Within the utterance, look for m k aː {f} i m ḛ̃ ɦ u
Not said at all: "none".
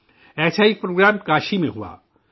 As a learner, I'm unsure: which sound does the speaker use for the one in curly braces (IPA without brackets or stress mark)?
ʃ